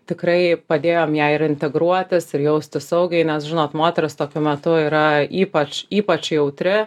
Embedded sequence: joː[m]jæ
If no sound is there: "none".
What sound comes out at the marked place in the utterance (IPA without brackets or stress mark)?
m